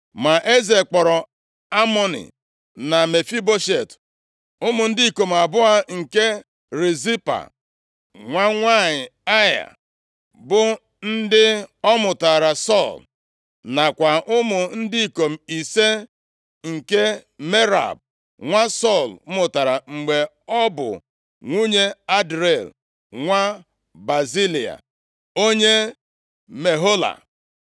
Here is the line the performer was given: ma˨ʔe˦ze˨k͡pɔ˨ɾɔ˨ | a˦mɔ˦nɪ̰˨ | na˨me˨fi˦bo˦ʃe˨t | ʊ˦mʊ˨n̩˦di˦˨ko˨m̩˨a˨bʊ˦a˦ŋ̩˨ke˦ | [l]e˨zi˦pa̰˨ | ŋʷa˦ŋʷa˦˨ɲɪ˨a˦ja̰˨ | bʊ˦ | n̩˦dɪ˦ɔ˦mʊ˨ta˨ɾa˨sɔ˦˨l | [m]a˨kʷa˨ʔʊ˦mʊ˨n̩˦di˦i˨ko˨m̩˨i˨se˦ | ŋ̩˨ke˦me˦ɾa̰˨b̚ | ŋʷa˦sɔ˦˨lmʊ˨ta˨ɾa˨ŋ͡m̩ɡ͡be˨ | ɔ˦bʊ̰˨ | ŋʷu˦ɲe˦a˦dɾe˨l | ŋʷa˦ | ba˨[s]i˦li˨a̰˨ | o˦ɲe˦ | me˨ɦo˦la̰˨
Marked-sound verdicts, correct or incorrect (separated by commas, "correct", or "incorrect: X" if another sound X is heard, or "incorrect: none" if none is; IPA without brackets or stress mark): incorrect: ɾ, incorrect: n, incorrect: z